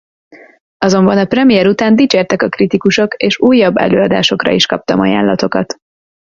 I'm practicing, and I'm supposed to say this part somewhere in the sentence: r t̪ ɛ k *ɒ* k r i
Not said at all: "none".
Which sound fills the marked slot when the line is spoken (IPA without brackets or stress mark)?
ɒ